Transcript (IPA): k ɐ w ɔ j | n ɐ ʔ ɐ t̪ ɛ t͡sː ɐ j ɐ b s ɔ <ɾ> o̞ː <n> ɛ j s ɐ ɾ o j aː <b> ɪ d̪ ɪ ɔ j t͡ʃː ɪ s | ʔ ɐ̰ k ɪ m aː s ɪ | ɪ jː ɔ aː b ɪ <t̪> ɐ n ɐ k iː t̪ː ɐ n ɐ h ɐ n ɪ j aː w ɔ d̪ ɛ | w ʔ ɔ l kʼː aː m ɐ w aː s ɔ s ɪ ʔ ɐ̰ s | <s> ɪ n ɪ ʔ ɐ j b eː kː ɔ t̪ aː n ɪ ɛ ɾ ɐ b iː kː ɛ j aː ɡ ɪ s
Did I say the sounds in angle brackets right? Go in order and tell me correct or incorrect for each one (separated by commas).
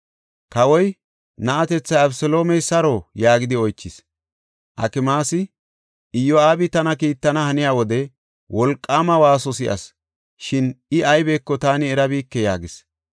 incorrect, incorrect, incorrect, correct, incorrect